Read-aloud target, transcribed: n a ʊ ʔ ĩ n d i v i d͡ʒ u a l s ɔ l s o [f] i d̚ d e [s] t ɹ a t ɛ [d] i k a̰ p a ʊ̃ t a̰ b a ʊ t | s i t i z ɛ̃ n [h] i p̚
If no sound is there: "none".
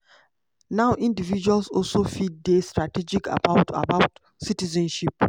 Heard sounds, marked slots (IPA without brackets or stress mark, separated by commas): f, s, d͡ʒ, ʃ